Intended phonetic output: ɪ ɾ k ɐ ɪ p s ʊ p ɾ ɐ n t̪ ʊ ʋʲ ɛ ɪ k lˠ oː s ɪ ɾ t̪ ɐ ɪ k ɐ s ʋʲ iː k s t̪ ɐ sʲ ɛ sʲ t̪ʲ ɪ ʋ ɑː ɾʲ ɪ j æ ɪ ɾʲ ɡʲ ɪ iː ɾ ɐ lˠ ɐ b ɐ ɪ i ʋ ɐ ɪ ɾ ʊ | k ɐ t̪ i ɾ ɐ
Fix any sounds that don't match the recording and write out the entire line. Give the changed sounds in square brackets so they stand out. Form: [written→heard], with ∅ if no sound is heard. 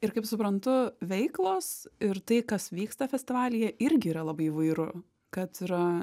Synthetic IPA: ɪ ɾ k ɐ ɪ p s ʊ p ɾ ɐ n t̪ ʊ ʋʲ ɛ ɪ k lˠ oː s ɪ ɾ t̪ ɐ ɪ k ɐ s ʋʲ iː k s t̪ ɐ [sʲ→fʲ] ɛ sʲ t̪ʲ ɪ ʋ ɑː [ɾʲ→lʲ] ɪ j [æ→ɛ] ɪ ɾʲ ɡʲ ɪ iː ɾ ɐ lˠ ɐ b ɐ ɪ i ʋ ɐ ɪ ɾ ʊ | k ɐ t̪ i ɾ ɐ